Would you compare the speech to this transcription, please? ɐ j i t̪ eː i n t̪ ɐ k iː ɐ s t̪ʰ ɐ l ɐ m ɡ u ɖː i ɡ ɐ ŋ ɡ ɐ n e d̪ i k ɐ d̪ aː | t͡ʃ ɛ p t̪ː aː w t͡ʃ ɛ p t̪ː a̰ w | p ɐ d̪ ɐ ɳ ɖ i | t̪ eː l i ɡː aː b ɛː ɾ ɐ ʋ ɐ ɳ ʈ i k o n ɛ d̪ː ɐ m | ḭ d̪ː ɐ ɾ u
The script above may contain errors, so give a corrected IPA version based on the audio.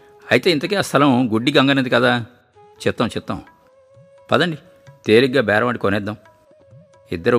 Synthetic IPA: ɐ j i t̪ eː i n t̪ ɐ k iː ɐ s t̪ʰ ɐ l ɐ m ɡ u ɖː i ɡ ɐ ŋ ɡ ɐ n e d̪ i k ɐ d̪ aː | t͡ʃ ɛ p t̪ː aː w t͡ʃ ɛ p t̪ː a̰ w | p ɐ d̪ ɐ ɳ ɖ i | t̪ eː l i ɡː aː b ɛː ɾ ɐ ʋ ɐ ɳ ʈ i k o n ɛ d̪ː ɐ m | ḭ d̪ː ɐ ɾ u